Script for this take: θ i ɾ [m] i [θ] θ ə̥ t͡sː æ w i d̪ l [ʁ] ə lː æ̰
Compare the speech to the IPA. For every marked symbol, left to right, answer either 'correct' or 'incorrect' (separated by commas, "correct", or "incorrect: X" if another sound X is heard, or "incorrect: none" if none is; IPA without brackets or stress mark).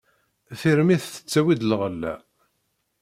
correct, correct, correct